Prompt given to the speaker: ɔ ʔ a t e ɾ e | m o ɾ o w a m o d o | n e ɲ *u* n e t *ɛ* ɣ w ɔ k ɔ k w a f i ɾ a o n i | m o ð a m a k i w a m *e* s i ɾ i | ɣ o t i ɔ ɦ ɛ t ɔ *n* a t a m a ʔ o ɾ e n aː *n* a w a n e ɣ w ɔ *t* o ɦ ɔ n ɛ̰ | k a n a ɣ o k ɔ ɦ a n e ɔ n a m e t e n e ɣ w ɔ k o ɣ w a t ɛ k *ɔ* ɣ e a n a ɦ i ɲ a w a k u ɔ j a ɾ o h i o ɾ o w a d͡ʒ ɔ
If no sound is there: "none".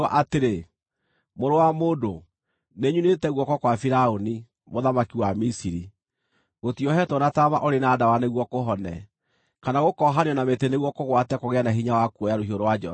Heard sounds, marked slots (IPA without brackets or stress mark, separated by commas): u, ɛ, i, n, d, k, o